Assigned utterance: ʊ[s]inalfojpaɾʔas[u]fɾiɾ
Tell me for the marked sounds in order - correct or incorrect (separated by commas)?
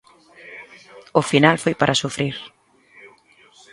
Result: incorrect, correct